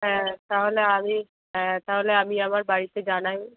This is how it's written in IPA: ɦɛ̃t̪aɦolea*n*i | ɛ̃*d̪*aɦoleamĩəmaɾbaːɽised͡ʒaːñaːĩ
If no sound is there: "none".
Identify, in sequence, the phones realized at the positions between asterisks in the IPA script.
m, t̪

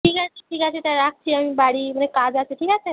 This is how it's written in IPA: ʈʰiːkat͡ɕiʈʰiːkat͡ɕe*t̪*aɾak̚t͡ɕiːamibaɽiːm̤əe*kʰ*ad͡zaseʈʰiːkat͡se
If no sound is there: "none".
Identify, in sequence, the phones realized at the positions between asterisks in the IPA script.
t̪, k

